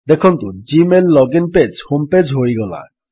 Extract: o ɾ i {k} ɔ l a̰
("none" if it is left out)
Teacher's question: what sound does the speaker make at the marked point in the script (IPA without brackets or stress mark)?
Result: ɡ